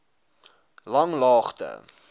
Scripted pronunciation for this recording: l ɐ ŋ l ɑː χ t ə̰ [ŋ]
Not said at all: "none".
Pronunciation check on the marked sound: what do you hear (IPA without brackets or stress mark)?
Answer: none